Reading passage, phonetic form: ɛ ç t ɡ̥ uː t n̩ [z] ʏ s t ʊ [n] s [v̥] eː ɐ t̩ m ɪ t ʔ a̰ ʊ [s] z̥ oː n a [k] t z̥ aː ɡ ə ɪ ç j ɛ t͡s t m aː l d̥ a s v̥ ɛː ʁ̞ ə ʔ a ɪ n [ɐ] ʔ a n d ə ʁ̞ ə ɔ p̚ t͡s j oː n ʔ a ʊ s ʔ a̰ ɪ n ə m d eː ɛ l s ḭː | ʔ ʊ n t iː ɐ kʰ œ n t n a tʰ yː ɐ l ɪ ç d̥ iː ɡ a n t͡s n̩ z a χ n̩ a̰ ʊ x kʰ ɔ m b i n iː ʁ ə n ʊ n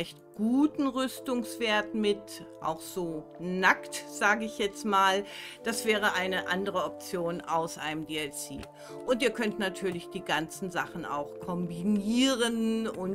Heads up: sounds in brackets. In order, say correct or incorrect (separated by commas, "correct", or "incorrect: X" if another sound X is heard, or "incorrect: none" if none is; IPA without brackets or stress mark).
incorrect: ʁ, incorrect: ŋ, correct, incorrect: x, correct, incorrect: ə